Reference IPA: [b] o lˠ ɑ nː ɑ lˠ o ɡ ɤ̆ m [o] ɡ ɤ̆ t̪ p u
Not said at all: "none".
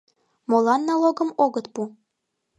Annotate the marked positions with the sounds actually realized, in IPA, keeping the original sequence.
m, o

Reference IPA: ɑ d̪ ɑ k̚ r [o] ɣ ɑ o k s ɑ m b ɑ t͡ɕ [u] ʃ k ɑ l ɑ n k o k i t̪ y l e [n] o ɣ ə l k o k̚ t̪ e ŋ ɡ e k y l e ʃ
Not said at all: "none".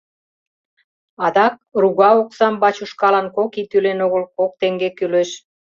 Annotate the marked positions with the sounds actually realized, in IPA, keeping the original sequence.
u, u, n

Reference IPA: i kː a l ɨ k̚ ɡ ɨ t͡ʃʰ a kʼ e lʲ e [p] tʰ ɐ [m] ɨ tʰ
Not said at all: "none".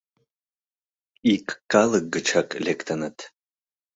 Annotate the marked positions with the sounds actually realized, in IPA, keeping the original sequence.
k, n

